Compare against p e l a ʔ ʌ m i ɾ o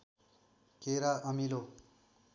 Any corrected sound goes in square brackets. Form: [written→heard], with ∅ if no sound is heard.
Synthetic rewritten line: [p→k] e [l→ɾ] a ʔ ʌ m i [ɾ→l] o